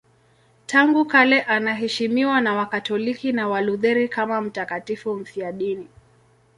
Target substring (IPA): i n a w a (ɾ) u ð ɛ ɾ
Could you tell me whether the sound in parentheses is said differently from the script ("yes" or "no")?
yes